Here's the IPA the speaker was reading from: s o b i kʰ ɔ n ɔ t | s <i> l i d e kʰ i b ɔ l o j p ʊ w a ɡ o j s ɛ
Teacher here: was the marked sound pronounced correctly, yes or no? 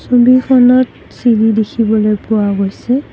yes